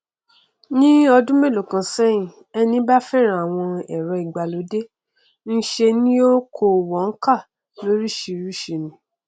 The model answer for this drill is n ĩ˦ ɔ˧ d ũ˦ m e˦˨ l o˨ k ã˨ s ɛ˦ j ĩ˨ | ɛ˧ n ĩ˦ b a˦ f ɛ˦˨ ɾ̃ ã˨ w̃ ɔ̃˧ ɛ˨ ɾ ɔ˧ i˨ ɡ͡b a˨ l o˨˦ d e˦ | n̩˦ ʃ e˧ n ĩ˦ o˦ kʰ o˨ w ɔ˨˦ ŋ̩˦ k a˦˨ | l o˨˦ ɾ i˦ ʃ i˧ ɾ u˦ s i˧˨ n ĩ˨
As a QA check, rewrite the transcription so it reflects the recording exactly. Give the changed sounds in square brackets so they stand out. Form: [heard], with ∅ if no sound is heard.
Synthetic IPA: n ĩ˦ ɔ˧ d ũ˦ m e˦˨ l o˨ k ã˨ s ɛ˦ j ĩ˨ | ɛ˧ n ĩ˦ b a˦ f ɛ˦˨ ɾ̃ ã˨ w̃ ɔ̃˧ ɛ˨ ɾ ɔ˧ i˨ ɡ͡b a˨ l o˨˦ d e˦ | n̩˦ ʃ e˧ n ĩ˦ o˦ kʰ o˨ w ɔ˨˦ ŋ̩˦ k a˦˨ | l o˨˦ ɾ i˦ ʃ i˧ ɾ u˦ [ʃ] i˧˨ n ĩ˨